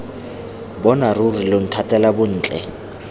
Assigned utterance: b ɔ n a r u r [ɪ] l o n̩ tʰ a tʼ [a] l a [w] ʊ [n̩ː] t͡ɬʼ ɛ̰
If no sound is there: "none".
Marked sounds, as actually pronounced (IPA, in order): i, ɛ, b, n̩ː

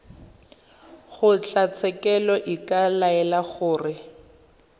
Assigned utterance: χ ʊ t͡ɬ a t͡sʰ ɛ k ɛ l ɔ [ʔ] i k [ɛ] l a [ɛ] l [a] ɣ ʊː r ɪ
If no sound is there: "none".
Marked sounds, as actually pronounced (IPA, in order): ʔ, a, ɛ, a

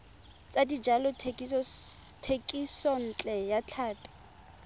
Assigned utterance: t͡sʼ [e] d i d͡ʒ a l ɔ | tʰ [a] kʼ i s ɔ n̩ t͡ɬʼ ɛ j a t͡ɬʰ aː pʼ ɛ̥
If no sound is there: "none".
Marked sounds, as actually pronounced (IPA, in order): a, e

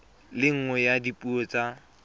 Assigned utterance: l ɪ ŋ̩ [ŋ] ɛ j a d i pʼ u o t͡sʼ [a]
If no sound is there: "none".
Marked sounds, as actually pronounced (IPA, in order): ŋ, a

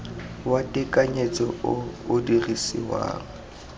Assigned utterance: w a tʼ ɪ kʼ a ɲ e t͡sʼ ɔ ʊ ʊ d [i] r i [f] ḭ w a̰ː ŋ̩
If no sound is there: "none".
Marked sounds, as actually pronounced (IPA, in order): i, s

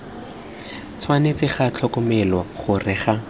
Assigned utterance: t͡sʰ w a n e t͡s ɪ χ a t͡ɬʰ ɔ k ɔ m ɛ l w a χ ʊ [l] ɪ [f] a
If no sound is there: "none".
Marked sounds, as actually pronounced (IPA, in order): r, χ

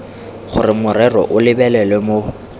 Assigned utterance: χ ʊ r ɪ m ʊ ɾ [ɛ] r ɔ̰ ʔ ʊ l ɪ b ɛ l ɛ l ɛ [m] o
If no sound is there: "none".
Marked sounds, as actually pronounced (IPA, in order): ɛ, m

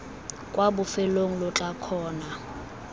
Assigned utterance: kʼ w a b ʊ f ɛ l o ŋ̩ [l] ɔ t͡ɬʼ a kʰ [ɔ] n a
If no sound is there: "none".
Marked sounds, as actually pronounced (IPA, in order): l, ɔː

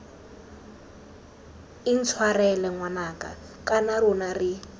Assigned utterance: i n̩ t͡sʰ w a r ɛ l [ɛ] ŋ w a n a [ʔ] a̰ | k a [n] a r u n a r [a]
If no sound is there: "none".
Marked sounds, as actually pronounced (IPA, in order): ɛ, k, n, i

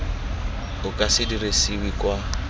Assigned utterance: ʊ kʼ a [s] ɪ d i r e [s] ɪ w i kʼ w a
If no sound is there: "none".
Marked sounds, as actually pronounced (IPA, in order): s, s

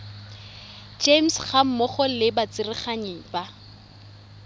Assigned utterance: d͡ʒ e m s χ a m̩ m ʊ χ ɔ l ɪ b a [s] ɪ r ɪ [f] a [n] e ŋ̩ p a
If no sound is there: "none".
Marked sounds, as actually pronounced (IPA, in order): t͡s, χ, ɲ

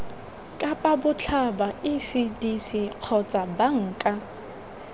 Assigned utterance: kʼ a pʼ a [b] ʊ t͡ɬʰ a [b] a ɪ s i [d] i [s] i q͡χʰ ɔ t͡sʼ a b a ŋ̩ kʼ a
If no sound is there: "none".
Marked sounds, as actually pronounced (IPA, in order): b, b, d, s

